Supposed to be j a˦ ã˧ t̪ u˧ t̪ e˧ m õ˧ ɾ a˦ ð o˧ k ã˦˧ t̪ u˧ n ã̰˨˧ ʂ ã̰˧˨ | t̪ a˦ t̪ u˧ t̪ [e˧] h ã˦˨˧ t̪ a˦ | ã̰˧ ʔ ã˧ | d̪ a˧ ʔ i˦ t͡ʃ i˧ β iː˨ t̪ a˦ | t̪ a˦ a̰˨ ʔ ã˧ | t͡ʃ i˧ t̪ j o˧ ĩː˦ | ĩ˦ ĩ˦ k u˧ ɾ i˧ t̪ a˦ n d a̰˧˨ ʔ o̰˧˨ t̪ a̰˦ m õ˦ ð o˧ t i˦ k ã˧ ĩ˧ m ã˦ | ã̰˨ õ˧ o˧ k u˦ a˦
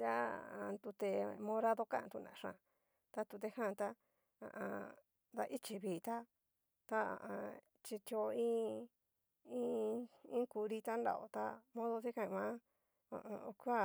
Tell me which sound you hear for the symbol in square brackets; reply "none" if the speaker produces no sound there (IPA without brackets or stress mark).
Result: e˧